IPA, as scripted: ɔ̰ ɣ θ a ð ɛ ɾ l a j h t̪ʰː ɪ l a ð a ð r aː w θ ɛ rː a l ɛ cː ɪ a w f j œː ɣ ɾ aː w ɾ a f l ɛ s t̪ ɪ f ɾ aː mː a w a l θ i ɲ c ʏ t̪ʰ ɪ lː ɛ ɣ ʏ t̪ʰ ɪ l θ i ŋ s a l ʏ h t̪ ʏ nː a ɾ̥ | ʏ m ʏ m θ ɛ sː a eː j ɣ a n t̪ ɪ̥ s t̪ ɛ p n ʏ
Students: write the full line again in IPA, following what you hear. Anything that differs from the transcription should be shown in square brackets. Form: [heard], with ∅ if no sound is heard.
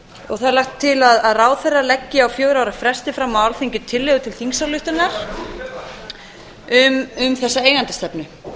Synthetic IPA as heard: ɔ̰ ɣ θ a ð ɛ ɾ l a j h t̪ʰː ɪ l a ð a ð r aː w θ ɛ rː a l ɛ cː ɪ a w f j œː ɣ ɾ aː w ɾ a f [ɾ] ɛ s t̪ ɪ f ɾ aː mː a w a l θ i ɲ c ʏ t̪ʰ ɪ lː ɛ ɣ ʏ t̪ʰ ɪ l θ i ŋ s a l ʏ h t̪ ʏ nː a ɾ̥ | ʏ m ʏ m θ ɛ sː a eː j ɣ a n t̪ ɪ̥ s t̪ ɛ p n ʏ